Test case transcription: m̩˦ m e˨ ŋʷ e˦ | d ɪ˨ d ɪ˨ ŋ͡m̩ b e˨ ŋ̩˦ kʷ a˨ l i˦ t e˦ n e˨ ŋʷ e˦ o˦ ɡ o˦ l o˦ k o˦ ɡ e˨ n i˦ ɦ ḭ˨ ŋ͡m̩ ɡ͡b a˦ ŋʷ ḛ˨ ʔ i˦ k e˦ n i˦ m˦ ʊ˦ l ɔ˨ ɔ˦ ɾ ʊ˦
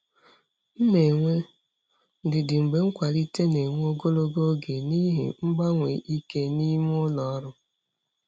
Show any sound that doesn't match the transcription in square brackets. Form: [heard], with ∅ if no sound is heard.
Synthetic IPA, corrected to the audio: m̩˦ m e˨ ŋʷ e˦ | d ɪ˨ d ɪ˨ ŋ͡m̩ [ɡ͡b] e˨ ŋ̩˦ kʷ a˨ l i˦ t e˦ n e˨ ŋʷ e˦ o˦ ɡ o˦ l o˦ [ɡ] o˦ ɡ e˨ n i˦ ɦ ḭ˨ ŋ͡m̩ ɡ͡b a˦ ŋʷ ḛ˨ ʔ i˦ k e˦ n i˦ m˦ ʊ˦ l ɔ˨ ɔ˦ ɾ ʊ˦

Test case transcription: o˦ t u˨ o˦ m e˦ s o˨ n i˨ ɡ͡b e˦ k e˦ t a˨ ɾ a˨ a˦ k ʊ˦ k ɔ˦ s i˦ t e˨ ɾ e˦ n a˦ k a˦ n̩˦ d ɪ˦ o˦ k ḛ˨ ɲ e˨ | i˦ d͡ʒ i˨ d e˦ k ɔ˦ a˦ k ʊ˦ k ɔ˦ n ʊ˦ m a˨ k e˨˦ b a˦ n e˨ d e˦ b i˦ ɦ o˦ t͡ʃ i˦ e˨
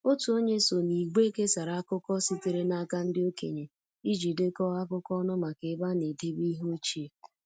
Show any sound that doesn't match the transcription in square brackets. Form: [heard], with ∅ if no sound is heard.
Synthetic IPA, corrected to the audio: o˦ t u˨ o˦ [ɲ] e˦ s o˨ n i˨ ɡ͡b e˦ k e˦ [s] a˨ ɾ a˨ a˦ k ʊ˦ k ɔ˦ s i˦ t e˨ ɾ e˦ n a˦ k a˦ n̩˦ d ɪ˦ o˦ k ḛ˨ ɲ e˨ | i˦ d͡ʒ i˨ d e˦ k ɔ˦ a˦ k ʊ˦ k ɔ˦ n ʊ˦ m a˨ k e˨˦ b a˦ n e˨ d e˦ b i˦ ɦ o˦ t͡ʃ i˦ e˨

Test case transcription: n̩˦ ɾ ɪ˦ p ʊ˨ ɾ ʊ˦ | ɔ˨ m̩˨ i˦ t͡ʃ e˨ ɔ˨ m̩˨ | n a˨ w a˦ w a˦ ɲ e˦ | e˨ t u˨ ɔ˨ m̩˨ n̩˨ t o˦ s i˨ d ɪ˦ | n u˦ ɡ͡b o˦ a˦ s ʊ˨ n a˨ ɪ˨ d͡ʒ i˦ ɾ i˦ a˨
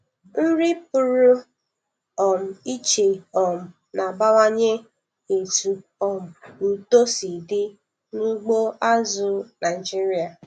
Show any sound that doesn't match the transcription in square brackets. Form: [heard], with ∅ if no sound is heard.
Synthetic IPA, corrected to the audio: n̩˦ ɾ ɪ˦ p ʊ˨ ɾ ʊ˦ | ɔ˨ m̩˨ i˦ t͡ʃ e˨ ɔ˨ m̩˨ | n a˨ [b] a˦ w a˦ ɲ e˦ | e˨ t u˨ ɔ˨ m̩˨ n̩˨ t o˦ s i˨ d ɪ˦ | n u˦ ɡ͡b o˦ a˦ [z] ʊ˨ n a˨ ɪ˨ d͡ʒ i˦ ɾ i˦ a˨

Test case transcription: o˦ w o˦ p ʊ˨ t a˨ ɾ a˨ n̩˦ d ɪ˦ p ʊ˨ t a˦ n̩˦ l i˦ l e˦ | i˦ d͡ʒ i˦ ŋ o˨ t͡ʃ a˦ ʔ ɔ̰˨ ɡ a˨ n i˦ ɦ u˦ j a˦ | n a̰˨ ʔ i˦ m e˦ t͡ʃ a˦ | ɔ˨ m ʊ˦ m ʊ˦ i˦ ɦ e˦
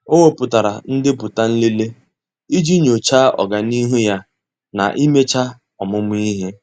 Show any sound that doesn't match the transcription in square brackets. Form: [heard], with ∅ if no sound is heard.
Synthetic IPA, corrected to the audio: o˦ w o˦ p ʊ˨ t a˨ ɾ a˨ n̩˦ d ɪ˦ p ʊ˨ t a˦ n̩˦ l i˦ l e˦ | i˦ d͡ʒ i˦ [ɲ] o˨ t͡ʃ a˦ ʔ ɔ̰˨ ɡ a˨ n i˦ ɦ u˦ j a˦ | n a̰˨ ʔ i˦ m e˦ t͡ʃ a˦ | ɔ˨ m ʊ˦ m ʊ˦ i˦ ɦ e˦

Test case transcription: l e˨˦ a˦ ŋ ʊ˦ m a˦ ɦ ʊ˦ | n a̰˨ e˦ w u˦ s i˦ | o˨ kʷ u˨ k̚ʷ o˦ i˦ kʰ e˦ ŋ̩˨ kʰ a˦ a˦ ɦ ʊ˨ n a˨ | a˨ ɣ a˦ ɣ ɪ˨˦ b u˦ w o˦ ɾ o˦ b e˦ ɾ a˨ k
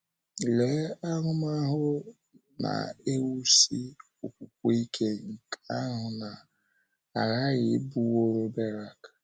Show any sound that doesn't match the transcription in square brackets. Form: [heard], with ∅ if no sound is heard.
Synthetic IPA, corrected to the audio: l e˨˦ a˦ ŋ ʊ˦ m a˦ ɦ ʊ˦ | n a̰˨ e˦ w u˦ s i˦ | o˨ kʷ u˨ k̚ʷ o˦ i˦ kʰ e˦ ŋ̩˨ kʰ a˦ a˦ ɦ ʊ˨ n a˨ | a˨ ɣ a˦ ɣ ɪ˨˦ b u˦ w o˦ ɾ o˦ b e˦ ɾ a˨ k

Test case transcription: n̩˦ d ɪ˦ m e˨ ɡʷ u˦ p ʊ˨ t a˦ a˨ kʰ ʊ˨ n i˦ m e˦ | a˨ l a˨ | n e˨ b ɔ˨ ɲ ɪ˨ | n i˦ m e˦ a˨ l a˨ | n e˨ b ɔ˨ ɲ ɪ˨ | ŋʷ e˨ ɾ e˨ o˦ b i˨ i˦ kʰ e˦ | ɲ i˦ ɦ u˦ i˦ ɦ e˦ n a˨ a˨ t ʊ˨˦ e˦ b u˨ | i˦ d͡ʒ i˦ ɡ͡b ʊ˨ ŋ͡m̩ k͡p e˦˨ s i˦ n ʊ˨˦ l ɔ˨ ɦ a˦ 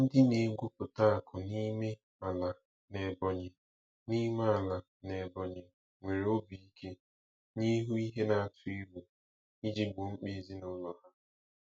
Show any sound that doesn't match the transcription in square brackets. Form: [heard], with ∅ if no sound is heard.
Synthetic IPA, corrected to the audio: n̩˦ d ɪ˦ [n] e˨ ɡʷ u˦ p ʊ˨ t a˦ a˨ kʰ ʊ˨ n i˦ m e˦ | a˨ l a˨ | n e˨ b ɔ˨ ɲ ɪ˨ | n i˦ m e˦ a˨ l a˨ | n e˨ b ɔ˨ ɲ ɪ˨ | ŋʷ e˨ ɾ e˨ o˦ b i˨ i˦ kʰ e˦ | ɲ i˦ ɦ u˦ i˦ ɦ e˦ n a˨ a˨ t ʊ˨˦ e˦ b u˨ | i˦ d͡ʒ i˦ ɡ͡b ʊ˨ ŋ͡m̩ k͡p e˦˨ [z] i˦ n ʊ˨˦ l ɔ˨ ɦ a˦

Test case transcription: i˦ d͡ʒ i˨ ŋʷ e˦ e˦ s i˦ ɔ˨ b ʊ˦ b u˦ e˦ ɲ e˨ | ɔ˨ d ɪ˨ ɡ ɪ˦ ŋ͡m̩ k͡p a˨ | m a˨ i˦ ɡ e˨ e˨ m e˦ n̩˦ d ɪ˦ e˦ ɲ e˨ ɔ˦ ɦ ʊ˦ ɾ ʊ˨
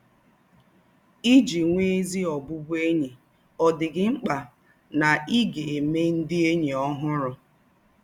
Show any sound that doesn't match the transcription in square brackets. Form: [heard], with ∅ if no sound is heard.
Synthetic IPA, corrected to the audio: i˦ d͡ʒ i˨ ŋʷ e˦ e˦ [z] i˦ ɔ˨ b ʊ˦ b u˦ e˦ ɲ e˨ | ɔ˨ d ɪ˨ ɡ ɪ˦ ŋ͡m̩ k͡p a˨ | [n] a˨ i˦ ɡ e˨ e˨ m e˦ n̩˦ d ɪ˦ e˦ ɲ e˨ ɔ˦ ɦ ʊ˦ ɾ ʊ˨

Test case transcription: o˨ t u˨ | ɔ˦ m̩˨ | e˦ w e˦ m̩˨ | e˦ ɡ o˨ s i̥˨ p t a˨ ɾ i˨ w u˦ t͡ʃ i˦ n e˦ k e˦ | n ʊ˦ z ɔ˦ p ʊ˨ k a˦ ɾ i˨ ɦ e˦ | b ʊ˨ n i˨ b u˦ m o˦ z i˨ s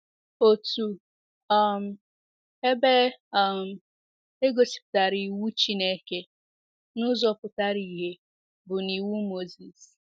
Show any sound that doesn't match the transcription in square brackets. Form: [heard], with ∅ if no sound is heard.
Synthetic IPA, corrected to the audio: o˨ t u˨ | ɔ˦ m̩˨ | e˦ [b] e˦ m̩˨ | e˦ ɡ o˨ s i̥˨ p t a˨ ɾ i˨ w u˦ t͡ʃ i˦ n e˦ k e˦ | n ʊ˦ z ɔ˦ p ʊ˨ [t] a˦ ɾ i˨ ɦ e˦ | b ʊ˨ n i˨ [w] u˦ m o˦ z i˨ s

